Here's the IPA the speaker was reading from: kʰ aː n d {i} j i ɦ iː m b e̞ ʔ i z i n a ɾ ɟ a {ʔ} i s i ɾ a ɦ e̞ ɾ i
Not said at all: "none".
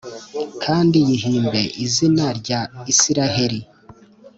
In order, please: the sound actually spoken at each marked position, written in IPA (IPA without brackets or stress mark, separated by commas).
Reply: i, none